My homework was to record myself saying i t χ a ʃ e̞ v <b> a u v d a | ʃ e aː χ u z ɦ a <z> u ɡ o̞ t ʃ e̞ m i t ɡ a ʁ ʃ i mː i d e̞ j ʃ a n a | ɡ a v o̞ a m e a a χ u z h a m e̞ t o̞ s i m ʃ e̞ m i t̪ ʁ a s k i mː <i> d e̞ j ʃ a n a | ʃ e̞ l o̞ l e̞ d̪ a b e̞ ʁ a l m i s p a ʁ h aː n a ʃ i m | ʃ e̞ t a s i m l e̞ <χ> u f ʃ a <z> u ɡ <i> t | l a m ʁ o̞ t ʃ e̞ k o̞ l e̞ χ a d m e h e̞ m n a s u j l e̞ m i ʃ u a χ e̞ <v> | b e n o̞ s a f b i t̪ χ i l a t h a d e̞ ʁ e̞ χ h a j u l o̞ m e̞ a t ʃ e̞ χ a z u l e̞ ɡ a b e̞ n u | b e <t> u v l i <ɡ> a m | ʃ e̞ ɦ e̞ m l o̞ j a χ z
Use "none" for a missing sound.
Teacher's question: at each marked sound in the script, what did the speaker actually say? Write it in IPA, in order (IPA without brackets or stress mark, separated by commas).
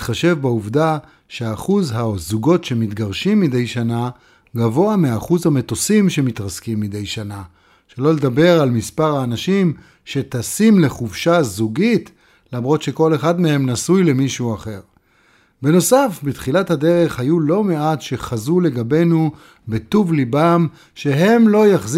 b, z, i, χ, z, i, ʁ, t, b